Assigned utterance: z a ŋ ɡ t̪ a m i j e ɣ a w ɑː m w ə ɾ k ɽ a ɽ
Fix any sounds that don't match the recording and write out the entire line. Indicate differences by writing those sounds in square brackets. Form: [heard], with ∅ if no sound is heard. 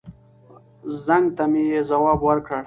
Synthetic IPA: z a ŋ ɡ t̪ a m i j e [z] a w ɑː [b] w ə ɾ k ɽ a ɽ